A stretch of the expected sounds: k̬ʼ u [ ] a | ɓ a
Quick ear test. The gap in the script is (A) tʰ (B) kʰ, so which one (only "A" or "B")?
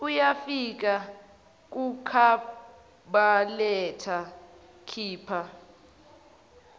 B